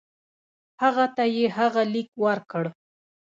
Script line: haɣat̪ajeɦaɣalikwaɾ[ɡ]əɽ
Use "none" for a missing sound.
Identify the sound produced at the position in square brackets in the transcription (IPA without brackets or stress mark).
k